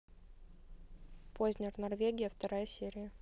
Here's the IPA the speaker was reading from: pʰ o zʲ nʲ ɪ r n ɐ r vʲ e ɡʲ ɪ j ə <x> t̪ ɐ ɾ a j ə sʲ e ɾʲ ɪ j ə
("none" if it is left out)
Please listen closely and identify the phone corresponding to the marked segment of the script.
f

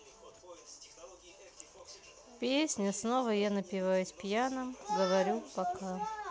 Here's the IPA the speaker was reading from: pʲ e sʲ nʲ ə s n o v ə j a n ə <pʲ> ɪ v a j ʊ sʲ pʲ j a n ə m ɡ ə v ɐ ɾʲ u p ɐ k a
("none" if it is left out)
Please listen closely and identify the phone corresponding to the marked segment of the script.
pʲ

